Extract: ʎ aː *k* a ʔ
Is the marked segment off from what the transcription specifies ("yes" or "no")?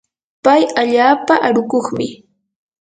yes